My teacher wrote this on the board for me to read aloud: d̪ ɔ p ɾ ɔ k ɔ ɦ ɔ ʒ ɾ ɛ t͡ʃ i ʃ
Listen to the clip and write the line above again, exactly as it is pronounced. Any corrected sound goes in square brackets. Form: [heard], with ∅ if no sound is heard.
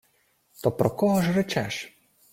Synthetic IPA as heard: [t̪] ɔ p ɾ ɔ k ɔ ɦ ɔ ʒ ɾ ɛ t͡ʃ [ɛ] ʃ